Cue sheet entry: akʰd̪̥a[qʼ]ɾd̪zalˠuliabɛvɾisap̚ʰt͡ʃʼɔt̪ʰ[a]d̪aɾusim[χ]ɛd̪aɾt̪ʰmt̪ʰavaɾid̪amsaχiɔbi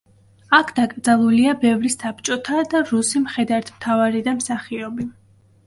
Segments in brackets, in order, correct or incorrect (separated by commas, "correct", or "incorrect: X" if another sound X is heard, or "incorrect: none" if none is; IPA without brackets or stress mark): incorrect: kʼ, correct, correct